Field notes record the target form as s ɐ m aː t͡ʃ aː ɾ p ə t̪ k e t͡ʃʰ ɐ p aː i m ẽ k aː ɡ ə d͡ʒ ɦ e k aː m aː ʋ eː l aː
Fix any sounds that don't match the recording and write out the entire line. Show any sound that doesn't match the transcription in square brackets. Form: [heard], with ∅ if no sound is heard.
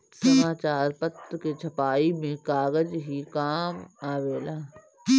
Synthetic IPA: s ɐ m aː t͡ʃ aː ɾ p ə t̪ k e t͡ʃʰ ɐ p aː i m ẽ k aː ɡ ə d͡ʒ ɦ [i] k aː m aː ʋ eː l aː

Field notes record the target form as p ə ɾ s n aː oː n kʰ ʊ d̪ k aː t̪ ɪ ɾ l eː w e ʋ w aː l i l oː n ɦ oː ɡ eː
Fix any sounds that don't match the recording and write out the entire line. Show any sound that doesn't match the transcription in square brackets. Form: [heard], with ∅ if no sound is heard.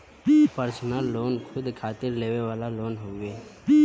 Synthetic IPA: p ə ɾ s n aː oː n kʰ ʊ d̪ [kʰ] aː t̪ ɪ ɾ l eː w e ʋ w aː l [a] l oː n ɦ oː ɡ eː

